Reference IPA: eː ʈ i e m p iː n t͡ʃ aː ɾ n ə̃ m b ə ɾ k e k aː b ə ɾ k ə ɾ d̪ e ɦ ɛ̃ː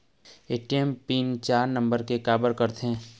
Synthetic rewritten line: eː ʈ i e m p iː n t͡ʃ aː ɾ n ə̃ m b ə ɾ k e k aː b ə ɾ k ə ɾ t̪ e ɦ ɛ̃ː